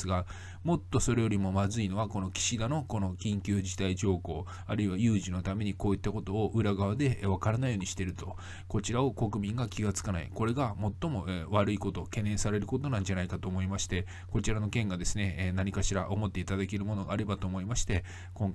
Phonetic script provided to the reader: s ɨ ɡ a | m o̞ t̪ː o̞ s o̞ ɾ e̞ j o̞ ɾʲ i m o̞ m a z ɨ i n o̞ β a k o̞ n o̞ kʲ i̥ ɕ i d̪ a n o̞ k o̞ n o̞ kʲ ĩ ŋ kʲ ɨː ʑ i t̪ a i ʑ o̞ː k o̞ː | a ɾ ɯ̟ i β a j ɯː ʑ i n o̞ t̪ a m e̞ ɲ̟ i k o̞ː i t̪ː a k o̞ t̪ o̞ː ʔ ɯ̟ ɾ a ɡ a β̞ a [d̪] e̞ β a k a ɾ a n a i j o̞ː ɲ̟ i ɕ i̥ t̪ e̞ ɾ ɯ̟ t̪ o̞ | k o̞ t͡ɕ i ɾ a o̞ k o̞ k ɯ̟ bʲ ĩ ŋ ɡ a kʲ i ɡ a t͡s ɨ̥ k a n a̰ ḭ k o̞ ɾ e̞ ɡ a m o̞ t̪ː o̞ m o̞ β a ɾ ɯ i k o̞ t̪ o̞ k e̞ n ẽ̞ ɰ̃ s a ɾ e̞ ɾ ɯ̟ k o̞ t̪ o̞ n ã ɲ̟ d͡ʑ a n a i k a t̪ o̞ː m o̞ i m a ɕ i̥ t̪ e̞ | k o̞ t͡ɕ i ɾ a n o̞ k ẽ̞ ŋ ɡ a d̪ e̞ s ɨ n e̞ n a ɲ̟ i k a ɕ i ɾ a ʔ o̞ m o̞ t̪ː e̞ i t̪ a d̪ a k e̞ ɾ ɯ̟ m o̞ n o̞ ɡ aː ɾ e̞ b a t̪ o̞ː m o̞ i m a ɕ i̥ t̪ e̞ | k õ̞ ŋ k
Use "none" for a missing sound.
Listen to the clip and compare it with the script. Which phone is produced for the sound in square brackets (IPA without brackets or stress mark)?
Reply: d̪